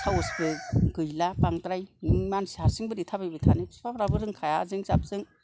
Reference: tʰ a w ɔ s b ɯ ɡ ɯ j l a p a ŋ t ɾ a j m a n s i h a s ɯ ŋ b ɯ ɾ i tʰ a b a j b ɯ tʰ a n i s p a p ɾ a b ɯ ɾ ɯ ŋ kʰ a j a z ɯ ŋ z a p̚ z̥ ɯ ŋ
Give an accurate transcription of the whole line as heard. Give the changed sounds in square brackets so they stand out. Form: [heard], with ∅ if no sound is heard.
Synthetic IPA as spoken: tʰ a w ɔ s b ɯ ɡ ɯ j l a p a ŋ t ɾ a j m a n s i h a s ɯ ŋ b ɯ ɾ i tʰ a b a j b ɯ tʰ a n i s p a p ɾ a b ɯ ɾ ɯ ŋ kʰ a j a z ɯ ŋ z a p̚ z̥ ɯ ŋ